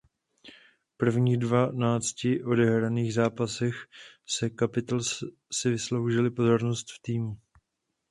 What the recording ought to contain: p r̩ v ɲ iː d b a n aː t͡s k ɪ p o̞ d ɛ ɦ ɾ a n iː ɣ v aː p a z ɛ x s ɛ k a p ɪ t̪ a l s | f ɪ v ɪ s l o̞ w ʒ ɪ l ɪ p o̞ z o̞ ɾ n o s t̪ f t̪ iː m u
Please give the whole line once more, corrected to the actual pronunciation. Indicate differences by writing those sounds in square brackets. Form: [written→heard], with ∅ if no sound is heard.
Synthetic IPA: p r̩ v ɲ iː d [b→v] a n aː t͡s [k→c] ɪ [p→ʔ] o̞ d ɛ ɦ ɾ a n iː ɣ [v→z] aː p a [z→s] ɛ x s ɛ k a p ɪ t̪ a l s | [f→s] ɪ v ɪ s l o̞ w ʒ ɪ l ɪ p o̞ z o̞ ɾ n o s t̪ f t̪ iː m u